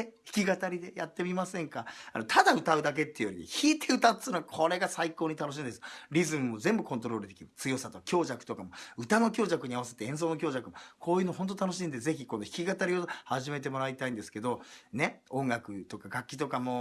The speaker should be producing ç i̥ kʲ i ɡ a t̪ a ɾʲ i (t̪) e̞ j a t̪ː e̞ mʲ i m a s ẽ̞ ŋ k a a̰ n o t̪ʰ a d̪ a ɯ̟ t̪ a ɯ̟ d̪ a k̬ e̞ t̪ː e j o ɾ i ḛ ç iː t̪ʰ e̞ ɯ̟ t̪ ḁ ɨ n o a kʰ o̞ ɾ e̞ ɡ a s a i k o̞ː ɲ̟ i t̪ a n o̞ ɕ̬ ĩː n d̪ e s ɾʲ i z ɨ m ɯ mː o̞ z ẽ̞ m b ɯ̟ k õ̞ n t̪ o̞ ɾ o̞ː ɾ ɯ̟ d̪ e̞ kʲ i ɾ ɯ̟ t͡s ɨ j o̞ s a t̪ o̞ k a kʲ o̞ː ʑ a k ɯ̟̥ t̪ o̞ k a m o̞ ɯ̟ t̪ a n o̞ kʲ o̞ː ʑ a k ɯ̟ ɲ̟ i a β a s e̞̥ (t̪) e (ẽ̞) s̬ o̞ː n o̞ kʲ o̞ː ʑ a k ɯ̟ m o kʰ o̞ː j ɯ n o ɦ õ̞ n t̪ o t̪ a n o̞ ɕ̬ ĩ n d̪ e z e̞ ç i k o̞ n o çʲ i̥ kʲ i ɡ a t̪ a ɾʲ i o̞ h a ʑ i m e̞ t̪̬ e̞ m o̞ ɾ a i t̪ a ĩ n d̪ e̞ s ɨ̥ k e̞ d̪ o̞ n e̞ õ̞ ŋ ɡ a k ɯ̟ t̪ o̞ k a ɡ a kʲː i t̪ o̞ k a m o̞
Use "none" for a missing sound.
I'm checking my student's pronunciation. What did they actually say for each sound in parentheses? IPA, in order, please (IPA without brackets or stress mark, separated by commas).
d̪, t̪, ẽ̞